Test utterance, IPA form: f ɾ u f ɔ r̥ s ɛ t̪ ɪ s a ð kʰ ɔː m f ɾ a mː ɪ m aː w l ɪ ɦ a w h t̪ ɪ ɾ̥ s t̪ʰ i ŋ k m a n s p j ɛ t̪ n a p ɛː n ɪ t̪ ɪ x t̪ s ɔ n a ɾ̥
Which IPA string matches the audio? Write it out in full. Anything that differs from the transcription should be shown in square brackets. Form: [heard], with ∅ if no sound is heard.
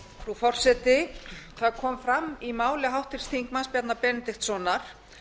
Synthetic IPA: f ɾ u f ɔ r̥ s ɛ t̪ ɪ [θ] a ð kʰ ɔː m f ɾ a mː [i] m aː w l ɪ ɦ a w h t̪ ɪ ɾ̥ s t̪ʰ i ŋ k m a n s p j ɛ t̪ n a p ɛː n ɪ t̪ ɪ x t̪ s ɔ n a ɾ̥